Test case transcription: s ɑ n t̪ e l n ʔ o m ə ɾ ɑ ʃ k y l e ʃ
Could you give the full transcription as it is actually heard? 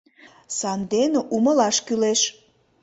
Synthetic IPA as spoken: s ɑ n d̪ e n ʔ u m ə l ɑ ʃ k y l e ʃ